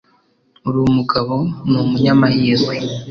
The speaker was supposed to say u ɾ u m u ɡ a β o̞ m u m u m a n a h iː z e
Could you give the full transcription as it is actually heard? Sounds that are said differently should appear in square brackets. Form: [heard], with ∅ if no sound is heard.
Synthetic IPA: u ɾ u m u ɡ a β o̞ [n] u m u [ɲ] a [m] a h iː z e

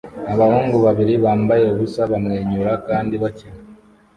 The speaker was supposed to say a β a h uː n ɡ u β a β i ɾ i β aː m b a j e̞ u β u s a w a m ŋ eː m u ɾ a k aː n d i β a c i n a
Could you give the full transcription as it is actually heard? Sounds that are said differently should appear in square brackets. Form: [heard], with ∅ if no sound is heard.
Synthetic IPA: a β a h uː [ŋ] ɡ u β a β i ɾ i β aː m b a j e̞ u β u s a [β] a m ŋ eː [ɲ] u ɾ a k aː n d i β a c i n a

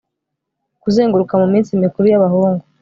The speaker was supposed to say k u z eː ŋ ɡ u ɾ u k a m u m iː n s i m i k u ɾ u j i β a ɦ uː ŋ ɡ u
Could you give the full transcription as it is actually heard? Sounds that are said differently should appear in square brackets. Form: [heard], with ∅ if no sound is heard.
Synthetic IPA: k u z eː ŋ ɡ u ɾ u k a m u m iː n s i m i k u ɾ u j [a] β a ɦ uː ŋ ɡ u

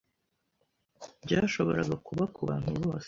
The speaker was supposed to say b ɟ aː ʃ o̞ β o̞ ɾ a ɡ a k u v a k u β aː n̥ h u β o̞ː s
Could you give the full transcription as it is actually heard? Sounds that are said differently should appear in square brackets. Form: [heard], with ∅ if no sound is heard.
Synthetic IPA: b ɟ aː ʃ o̞ β o̞ ɾ a ɡ a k u [β] a k u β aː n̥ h u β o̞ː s

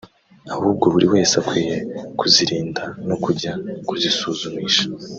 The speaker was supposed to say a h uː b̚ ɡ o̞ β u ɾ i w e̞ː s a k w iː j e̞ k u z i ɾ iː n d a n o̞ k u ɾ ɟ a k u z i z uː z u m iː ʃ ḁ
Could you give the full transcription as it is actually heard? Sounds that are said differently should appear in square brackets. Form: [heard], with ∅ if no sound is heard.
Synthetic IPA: a h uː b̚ ɡ o̞ β u ɾ i w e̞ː s a k w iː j e̞ k u z i ɾ iː n d a n o̞ k u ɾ ɟ a k u z i [s] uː z u m iː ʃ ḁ

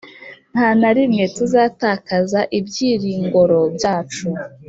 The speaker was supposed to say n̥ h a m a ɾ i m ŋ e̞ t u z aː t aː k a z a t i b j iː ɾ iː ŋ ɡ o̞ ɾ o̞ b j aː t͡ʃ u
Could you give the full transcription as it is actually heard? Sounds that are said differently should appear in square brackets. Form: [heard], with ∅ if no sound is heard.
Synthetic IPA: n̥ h a [n] a ɾ i m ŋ e̞ t u z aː t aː k a z a [ʔ] i b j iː ɾ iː ŋ ɡ o̞ ɾ o̞ b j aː t͡ʃ u

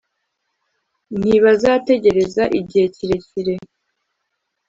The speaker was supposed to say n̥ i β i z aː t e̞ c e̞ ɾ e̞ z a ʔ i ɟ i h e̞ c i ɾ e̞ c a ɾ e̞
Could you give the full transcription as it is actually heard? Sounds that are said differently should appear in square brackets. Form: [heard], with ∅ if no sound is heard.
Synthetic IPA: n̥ i β [a] z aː t e̞ [ɟ] e̞ ɾ e̞ z a ʔ i ɟ i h e̞ c i ɾ e̞ c [i] ɾ e̞

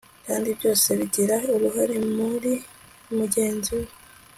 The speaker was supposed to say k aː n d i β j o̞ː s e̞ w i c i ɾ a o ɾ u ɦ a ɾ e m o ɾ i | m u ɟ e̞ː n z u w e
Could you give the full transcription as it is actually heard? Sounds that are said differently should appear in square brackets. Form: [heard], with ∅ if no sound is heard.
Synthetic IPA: k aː n d i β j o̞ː s e̞ [β] i [ɟ] i ɾ a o ɾ u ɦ a ɾ e m [u] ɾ i | m u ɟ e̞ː n z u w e

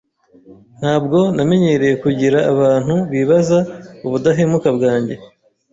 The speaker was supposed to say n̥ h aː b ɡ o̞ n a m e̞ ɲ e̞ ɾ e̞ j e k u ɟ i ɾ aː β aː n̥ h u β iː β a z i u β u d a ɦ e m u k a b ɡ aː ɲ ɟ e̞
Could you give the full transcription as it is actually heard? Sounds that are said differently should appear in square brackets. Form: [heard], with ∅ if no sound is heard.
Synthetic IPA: n̥ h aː b ɡ o̞ n a m e̞ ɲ e̞ ɾ e̞ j e k u ɟ i ɾ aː β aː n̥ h u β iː β a z [a] u β u d a ɦ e m u k a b ɡ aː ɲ ɟ e̞

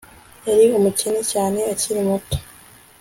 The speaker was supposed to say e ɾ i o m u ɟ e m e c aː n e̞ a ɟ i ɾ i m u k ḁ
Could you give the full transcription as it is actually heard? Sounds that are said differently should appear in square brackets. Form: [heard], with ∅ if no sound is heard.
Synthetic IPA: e ɾ i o m u [c] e [n] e c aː n e̞ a [c] i ɾ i m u [t] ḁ

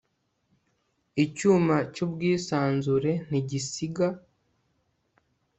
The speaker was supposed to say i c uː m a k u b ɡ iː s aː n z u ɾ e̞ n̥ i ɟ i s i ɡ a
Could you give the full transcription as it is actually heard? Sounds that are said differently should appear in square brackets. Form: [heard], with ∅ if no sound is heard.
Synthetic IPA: i c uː m a [c] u b ɡ iː s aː n z u ɾ e̞ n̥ i ɟ i s i ɡ a

